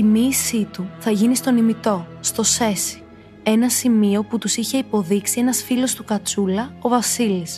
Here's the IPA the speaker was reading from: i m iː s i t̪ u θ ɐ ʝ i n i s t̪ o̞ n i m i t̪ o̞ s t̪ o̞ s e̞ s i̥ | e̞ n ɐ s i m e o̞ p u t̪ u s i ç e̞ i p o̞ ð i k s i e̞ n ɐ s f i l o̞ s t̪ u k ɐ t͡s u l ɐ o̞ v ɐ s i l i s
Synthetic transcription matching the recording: i m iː s i t̪ u θ ɐ ʝ i n i s t̪ o̞ n i m i t̪ o̞ s t̪ o̞ s e̞ s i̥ | e̞ n ɐ s i m i o̞ p u t̪ u s i ç e̞ i p o̞ ð i k s i e̞ n ɐ s f i l o̞ s t̪ u k ɐ t͡s u l ɐ o̞ v ɐ s i l i s